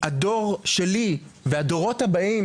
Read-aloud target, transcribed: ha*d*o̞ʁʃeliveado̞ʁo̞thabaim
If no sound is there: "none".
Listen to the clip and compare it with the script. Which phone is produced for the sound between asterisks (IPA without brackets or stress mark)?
d